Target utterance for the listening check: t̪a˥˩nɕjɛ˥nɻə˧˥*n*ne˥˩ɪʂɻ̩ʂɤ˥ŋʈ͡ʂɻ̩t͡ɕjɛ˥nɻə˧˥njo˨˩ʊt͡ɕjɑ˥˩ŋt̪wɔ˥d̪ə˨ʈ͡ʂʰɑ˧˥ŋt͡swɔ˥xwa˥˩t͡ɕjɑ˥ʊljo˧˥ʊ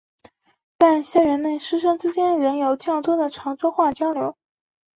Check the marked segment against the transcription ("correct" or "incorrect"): correct